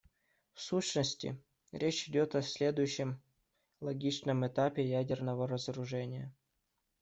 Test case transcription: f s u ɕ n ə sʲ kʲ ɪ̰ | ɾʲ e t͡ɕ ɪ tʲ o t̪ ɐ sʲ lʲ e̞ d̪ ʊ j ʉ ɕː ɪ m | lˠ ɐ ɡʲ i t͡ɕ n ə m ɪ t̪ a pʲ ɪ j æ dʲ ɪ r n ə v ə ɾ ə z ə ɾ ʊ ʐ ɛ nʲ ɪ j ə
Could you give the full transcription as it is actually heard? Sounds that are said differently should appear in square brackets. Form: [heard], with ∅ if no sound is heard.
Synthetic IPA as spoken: f s u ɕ n ə sʲ [tʲ] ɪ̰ | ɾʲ e t͡ɕ ɪ [dʲ] o t̪ ɐ sʲ lʲ e̞ d̪ ʊ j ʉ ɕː ɪ m | lˠ ɐ ɡʲ i t͡ɕ n ə m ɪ t̪ a pʲ ɪ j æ dʲ ɪ r n ə v ə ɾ ə z ə ɾ ʊ ʐ ɛ nʲ ɪ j ə